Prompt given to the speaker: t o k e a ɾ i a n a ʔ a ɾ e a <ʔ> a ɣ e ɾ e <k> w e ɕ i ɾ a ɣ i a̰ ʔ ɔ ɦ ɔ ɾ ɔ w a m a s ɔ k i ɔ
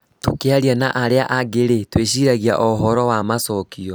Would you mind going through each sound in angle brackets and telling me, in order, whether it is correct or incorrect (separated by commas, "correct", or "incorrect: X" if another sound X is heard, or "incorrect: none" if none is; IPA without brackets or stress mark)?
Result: correct, incorrect: t